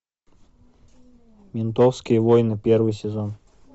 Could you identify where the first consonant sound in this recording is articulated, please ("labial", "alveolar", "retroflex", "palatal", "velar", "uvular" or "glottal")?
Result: labial